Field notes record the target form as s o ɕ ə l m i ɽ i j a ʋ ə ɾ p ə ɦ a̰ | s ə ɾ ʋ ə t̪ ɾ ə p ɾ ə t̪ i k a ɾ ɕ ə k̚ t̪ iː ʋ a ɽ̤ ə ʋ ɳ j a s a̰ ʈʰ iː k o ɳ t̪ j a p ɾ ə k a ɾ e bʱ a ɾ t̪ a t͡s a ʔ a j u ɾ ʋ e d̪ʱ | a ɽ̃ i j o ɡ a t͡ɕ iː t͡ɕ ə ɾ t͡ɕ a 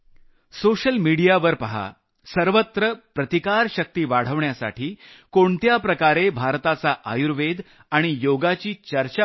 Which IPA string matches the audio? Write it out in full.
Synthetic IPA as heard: s o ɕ ə l m i ɽ i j a ʋ ə ɾ p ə ɦ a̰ | s ə ɾ ʋ ə t̪ ɾ ə p ɾ ə t̪ i k a ɾ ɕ ə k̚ t̪ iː ʋ a ɽ̤ ə ʋ ɳ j a s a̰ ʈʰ iː k o ɳ t̪ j a p ɾ ə k a ɾ e bʱ a ɾ t̪ a t͡s a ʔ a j u ɾ ʋ e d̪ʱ | a ɽ̃ i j o ɡ a t͡ɕ iː t͡ɕ ə ɾ t͡ɕ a